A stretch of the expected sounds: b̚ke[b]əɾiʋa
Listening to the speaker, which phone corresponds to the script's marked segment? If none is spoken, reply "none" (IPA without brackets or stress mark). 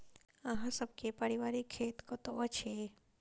p